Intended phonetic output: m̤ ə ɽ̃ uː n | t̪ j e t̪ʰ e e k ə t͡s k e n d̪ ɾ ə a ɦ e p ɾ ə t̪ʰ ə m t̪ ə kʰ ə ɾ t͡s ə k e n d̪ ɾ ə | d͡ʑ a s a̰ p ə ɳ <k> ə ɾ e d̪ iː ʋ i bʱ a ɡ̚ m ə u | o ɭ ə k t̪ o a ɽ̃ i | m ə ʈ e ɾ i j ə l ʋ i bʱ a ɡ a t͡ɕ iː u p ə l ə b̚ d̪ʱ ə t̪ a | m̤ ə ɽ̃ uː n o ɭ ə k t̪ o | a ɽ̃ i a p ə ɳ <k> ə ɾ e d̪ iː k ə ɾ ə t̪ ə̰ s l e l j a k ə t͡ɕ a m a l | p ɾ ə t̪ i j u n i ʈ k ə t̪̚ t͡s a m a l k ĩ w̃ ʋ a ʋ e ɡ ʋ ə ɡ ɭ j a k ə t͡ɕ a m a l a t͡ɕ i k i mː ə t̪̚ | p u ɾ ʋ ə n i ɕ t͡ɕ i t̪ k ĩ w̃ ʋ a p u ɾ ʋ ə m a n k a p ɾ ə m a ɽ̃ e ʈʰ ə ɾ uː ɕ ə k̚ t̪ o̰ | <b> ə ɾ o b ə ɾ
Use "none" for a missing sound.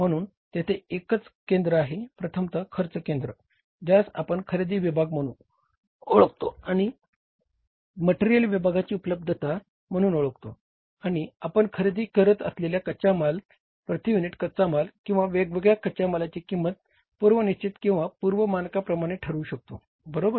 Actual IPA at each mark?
kʰ, kʰ, b

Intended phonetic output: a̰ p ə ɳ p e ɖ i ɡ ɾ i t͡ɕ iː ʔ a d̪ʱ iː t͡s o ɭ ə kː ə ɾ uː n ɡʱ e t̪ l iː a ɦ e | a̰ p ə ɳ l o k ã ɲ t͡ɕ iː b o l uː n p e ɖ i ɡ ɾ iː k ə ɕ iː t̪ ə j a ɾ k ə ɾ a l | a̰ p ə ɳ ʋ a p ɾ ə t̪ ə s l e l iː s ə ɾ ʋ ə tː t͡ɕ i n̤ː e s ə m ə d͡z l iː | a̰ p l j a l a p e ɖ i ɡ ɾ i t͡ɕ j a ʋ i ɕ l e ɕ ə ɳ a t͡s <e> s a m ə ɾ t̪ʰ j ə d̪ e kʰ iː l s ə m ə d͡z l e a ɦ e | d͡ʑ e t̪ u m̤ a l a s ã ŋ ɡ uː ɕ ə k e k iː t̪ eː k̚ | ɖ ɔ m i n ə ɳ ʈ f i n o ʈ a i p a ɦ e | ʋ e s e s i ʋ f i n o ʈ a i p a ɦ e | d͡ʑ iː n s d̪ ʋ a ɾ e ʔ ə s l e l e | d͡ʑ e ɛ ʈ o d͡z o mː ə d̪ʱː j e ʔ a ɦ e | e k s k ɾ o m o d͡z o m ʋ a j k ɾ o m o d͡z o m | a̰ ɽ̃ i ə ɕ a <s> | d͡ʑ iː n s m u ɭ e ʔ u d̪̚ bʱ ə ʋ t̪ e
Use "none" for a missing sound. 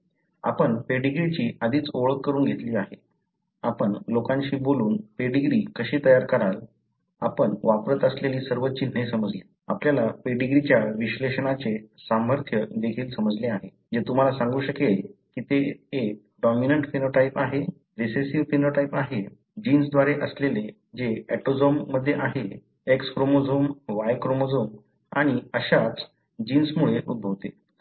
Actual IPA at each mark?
e, t͡s

